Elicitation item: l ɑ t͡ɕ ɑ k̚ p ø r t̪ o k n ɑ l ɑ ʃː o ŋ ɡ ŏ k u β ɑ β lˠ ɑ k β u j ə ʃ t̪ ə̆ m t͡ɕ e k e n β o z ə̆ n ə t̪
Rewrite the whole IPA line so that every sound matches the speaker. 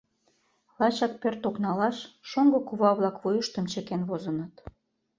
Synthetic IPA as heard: l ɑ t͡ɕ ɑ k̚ p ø r t̪ o k n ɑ l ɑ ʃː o ŋ ɡ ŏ k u β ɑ β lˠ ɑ k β u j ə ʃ t̪ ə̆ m t͡ɕ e k e n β o z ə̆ n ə t̪